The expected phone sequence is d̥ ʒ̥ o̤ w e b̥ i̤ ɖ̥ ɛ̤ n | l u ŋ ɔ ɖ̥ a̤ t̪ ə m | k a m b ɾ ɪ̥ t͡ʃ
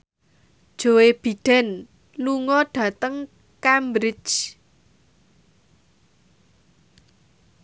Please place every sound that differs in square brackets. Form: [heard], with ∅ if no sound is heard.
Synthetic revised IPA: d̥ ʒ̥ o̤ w e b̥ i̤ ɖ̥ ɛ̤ n | l u ŋ ɔ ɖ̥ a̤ t̪ ə [ŋ] | k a m b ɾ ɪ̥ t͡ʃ